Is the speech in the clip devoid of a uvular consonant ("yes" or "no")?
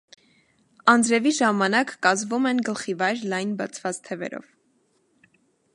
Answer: no